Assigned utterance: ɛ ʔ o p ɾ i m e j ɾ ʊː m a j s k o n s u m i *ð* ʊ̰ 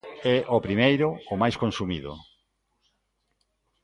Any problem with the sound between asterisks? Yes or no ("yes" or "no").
no